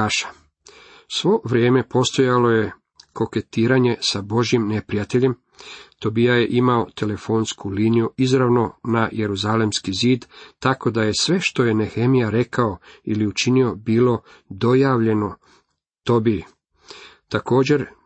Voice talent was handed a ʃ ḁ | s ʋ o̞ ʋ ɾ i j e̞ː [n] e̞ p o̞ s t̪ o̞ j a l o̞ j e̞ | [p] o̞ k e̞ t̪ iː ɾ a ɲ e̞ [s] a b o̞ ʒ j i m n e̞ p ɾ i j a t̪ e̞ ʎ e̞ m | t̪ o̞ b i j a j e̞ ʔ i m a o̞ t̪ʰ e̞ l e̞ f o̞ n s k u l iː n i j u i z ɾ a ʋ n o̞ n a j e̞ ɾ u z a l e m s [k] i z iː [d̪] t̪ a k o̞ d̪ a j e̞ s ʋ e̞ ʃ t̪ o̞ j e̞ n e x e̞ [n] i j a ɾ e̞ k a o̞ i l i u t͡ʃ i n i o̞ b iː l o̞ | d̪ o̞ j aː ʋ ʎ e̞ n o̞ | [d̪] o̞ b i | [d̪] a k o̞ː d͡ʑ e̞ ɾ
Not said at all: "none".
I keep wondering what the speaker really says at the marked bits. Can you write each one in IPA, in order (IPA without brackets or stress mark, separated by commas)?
m, k, s, k, d̪, m, t̪, t̪